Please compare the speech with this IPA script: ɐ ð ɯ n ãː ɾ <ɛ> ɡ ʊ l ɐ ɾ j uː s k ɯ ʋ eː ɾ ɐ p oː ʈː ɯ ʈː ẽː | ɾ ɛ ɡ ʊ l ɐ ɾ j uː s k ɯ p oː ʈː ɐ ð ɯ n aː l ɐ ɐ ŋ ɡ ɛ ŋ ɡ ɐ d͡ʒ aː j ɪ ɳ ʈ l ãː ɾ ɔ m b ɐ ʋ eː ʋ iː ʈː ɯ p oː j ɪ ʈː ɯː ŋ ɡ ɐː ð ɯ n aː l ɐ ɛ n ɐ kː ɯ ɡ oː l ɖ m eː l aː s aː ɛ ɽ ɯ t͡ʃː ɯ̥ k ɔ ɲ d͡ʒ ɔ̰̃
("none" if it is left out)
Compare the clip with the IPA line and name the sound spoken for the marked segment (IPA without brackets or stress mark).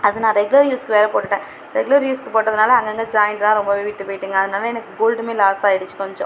ɛ